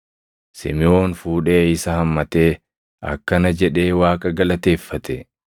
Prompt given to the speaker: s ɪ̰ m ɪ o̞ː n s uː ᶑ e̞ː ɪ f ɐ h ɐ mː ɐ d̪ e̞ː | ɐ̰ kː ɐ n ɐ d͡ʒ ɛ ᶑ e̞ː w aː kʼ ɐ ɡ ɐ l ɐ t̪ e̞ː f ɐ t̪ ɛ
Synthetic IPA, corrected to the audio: s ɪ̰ m ɪ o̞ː n f uː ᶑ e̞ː ɪ s ɐ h ɐ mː ɐ t̪ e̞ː | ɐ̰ kː ɐ n ɐ d͡ʒ ɛ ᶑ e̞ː w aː kʼ ɐ ɡ ɐ l ɐ t̪ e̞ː fː ɐ t̪ ɛ